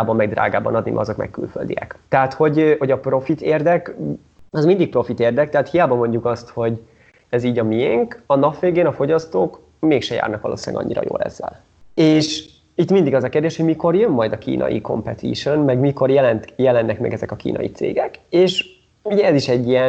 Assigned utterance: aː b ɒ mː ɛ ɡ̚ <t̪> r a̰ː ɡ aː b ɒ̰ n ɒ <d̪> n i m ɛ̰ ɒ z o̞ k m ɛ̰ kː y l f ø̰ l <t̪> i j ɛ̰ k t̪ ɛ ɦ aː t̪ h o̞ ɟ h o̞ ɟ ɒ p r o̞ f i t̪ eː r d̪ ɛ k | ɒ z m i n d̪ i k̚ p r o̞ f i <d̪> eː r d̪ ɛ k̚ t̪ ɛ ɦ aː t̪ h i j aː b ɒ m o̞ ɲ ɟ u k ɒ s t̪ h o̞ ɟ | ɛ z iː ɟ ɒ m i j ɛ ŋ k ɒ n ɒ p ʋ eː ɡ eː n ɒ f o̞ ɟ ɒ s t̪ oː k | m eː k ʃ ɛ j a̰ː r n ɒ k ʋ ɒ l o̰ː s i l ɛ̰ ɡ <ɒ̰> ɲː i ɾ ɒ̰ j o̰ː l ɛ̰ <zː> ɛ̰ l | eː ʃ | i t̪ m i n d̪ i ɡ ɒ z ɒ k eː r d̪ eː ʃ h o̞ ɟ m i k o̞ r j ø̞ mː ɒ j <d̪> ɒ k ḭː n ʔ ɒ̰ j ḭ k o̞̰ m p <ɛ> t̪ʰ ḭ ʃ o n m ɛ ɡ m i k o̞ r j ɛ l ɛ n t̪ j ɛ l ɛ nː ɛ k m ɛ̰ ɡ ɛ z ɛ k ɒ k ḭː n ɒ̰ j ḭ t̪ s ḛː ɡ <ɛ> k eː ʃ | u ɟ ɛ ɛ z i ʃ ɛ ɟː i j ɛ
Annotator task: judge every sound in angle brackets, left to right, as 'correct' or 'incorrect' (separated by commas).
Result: incorrect, correct, incorrect, incorrect, correct, correct, correct, correct, correct